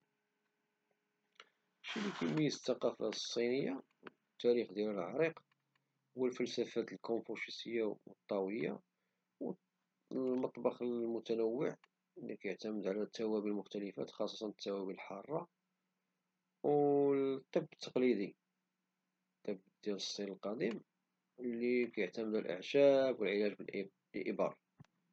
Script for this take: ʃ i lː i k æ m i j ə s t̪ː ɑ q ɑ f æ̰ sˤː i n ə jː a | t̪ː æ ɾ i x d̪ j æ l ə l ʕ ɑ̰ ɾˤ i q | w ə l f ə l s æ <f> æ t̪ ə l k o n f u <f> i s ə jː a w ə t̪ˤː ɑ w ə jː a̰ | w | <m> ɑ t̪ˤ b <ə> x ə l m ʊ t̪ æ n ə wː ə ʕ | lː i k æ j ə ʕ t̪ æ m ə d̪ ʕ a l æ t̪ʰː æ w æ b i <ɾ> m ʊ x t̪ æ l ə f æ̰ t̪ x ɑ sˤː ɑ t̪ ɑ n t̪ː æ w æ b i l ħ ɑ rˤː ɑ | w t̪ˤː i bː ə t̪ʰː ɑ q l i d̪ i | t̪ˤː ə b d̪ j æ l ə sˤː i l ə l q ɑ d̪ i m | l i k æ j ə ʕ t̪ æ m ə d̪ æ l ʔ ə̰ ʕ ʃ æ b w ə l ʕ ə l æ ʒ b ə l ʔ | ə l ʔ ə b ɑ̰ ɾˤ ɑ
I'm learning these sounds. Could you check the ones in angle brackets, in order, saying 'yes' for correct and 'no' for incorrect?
yes, no, yes, no, no

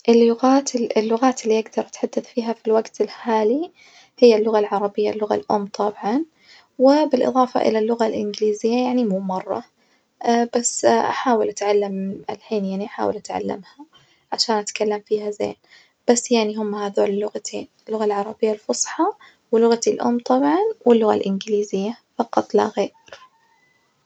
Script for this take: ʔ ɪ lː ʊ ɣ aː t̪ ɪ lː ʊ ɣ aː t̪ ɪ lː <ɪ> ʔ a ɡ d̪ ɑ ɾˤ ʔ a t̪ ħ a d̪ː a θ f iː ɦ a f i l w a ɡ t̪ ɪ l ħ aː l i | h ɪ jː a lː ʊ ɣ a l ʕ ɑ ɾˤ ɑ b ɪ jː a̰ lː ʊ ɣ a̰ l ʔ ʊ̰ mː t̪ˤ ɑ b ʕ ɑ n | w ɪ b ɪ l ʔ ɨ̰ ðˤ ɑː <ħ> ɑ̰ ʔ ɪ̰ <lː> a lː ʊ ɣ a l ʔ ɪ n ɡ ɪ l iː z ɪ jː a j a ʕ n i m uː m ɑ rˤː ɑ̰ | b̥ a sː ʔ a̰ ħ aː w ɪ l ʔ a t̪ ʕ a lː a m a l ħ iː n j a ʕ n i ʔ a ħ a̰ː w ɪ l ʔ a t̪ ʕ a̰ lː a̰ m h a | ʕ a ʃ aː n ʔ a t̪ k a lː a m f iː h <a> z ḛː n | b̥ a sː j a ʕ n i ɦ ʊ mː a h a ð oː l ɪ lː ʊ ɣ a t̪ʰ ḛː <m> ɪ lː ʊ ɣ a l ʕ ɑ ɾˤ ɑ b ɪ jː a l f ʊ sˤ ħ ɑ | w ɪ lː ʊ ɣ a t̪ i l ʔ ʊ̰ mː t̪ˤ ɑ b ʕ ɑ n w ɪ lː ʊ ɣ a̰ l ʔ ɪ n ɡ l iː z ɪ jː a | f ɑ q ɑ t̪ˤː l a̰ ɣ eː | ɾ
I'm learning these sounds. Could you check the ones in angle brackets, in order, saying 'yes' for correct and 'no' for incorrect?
no, no, no, yes, no

